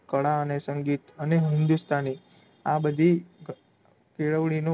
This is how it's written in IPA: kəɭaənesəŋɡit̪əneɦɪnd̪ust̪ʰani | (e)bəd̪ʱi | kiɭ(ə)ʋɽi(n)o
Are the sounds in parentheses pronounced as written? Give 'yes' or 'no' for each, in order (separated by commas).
no, yes, yes